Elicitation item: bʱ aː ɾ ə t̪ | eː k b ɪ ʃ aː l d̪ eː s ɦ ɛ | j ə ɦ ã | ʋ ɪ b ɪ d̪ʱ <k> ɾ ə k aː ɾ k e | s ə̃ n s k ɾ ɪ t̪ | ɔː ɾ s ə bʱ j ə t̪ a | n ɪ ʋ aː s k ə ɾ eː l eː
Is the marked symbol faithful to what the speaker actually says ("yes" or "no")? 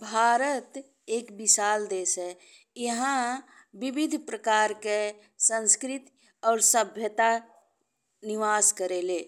no